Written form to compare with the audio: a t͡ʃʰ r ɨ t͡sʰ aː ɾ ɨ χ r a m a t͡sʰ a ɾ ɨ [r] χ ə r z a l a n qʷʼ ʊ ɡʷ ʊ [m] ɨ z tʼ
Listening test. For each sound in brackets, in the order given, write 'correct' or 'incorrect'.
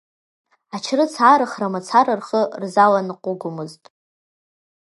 correct, correct

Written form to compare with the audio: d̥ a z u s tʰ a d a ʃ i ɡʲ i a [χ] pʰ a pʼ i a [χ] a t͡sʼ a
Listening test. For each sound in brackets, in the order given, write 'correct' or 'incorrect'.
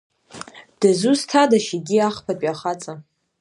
correct, correct

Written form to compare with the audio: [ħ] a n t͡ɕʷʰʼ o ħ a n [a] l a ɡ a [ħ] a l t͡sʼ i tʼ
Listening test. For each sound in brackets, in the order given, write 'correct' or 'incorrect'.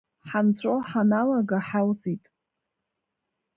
correct, correct, correct

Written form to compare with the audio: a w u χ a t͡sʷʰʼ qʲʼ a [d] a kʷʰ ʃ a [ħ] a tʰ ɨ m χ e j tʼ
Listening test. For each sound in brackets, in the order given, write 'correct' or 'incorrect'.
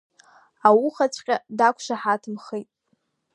correct, correct

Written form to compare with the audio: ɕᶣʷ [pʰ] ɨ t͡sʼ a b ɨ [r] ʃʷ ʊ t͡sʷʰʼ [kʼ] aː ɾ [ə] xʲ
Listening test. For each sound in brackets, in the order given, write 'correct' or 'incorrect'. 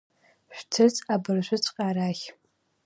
incorrect: tʰ, correct, incorrect: qʼ, incorrect: a

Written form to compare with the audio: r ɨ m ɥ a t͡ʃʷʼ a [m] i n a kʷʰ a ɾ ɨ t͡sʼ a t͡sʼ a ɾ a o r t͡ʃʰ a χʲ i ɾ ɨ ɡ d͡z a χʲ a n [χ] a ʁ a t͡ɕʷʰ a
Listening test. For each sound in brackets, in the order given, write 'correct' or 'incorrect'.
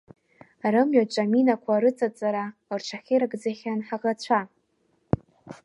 correct, incorrect: ħ

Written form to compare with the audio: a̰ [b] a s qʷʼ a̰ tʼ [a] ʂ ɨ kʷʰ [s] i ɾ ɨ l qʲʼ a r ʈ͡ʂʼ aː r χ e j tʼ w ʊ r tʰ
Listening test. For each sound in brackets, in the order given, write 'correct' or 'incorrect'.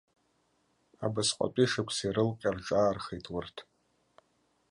correct, incorrect: i, correct

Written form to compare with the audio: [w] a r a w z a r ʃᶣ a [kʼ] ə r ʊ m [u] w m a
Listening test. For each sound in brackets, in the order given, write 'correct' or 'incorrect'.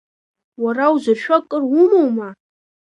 correct, correct, incorrect: o

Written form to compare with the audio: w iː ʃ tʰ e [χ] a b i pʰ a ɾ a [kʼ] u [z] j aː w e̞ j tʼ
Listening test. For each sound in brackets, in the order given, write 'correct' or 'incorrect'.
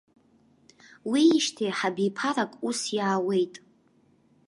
incorrect: ħ, correct, incorrect: s

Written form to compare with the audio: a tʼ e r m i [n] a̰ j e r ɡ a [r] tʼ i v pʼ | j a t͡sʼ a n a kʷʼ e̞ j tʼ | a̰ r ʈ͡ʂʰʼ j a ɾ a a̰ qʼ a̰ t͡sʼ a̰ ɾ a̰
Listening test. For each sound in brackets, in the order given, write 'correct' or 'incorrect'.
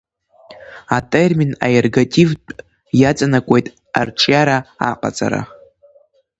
correct, incorrect: none

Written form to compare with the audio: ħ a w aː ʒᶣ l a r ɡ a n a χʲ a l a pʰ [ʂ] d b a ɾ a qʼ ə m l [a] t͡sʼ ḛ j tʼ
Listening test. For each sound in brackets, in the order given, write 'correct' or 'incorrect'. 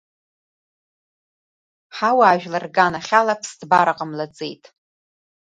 incorrect: s, correct

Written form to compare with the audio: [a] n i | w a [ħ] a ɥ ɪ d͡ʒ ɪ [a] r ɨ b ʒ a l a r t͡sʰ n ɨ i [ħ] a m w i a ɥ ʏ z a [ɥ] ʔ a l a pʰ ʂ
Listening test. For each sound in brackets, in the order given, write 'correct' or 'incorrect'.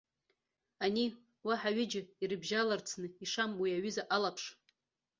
correct, correct, incorrect: i, incorrect: ʂ, incorrect: none

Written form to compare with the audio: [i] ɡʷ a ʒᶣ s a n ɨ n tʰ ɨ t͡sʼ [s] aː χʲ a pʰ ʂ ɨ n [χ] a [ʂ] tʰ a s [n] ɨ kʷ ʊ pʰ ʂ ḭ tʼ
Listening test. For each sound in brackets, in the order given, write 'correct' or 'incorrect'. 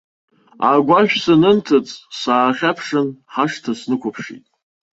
incorrect: a, correct, incorrect: ħ, correct, correct

